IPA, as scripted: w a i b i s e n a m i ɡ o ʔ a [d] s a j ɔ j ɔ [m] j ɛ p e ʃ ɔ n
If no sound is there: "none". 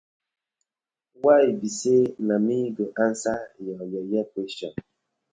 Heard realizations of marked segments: n, none

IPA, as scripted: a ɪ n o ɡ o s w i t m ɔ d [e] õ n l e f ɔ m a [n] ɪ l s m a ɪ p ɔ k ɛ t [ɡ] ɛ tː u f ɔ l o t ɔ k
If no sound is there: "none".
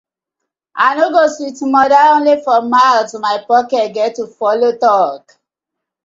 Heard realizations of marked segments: a, none, ɡ

